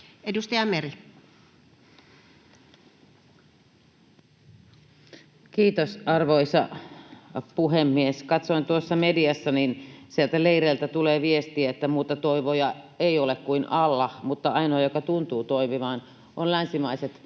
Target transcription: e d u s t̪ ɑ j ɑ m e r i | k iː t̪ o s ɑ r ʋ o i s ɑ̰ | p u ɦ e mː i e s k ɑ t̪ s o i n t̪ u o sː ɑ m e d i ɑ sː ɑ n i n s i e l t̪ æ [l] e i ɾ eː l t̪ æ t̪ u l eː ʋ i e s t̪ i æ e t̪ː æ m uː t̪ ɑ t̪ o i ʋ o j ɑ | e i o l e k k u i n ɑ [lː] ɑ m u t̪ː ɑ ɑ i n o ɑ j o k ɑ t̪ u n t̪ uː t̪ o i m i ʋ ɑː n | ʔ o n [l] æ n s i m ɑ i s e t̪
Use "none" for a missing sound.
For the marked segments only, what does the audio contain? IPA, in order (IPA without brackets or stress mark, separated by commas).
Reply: l, lː, l